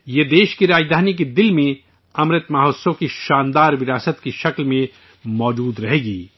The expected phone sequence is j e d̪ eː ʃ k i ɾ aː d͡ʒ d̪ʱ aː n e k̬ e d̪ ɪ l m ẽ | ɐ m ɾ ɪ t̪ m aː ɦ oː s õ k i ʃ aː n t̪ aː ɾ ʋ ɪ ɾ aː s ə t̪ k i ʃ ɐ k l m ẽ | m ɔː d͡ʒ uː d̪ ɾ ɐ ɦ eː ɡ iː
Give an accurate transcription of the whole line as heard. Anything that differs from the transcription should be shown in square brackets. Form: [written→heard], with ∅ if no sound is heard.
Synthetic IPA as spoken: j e d̪ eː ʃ k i ɾ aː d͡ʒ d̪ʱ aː n [e→i] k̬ e d̪ ɪ l m ẽ | ɐ m ɾ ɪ t̪ m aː ɦ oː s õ k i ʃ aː n [t̪→d̪] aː ɾ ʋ ɪ ɾ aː s ə t̪ k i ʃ ɐ k l m ẽ | m ɔː d͡ʒ uː d̪ ɾ ɐ ɦ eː ɡ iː